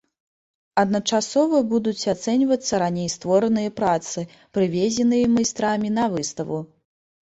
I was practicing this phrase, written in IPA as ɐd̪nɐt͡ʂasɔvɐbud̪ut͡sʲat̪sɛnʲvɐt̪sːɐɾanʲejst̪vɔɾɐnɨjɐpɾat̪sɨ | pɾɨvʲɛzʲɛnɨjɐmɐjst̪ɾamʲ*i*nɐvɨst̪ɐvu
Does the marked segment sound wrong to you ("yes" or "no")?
no